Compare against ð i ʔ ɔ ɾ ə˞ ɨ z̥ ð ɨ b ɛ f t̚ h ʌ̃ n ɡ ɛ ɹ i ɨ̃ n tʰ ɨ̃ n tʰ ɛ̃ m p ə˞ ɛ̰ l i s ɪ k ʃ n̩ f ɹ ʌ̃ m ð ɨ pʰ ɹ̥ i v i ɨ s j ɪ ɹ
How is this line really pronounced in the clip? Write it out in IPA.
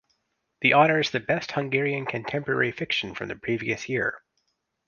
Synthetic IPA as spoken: ð i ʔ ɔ ɾ ə˞ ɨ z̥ ð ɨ b ɛ s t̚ h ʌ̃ ŋ ɡ ɛ ɹ i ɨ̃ n kʰ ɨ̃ n tʰ ɛ̃ m p ə˞ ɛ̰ ɹ i f ɪ k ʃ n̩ f ɹ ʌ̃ m ð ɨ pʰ ɹ̥ i v i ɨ s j ɪ ɹ